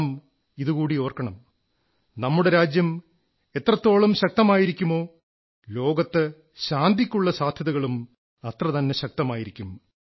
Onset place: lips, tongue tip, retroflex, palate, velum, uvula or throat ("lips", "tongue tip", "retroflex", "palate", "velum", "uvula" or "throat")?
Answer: lips